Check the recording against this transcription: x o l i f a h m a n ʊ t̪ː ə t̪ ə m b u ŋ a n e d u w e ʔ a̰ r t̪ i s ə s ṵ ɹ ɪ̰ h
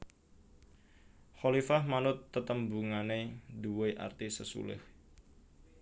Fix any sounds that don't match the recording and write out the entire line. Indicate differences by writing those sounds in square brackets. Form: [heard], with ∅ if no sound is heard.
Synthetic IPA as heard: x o l i f a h m a n ʊ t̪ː ə t̪ ə m b u ŋ a n e d u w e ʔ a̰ r t̪ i s ə s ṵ [l] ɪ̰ h